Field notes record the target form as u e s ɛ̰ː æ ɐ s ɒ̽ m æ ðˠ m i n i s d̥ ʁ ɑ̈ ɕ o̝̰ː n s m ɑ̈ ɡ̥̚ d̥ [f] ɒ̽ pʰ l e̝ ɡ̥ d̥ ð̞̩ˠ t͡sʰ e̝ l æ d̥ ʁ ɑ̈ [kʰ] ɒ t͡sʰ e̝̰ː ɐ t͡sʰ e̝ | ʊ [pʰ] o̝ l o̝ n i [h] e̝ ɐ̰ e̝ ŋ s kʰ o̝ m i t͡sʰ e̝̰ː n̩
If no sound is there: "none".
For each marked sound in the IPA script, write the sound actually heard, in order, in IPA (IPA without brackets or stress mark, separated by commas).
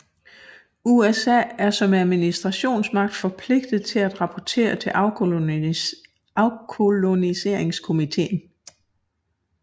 f, pʰ, kʰ, s